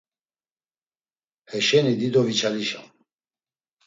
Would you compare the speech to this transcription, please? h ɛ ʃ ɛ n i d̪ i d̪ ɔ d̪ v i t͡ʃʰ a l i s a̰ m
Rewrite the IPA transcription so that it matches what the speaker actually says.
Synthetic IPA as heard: h ɛ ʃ ɛ n i d̪ i d̪ ɔ v i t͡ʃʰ a l i ʃ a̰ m